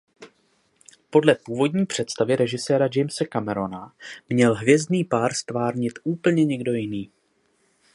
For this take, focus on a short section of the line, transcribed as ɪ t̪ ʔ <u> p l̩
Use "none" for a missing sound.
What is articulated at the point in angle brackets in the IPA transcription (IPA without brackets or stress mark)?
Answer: uː